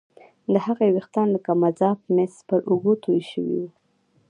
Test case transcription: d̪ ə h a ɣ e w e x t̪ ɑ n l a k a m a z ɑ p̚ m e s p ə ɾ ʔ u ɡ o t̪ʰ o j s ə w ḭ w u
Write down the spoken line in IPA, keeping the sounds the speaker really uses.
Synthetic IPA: d̪ ə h a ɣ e w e x t̪ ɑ n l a k a m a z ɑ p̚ m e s p ə ɾ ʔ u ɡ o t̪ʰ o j ʃ ə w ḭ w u